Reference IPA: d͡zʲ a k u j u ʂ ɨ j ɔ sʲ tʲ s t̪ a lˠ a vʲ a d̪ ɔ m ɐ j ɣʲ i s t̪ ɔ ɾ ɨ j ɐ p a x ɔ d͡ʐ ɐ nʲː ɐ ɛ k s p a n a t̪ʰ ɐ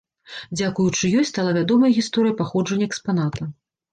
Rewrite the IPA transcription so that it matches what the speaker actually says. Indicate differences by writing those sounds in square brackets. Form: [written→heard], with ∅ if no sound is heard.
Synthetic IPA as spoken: d͡zʲ a k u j u [ʂ→t͡ʂ] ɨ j ɔ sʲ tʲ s t̪ a lˠ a vʲ a d̪ ɔ m ɐ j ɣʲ i s t̪ ɔ ɾ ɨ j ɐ p a x ɔ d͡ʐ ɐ nʲː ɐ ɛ k s p a n a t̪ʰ ɐ